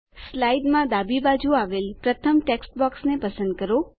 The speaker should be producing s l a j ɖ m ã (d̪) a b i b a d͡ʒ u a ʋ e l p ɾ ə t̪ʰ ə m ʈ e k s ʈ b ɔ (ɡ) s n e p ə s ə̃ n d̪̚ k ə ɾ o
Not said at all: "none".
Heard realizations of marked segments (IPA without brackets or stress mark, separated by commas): d̪, k